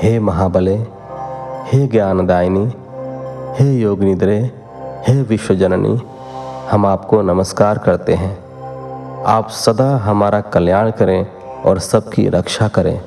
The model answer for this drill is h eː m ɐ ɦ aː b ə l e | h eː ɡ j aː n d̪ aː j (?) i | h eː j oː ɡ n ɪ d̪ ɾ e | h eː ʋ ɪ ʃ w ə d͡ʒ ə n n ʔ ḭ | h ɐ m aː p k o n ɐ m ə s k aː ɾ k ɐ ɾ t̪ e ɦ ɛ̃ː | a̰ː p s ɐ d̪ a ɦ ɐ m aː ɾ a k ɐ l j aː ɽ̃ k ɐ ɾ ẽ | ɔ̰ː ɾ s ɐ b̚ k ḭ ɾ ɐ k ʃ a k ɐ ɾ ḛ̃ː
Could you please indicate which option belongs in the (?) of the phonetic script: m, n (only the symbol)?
n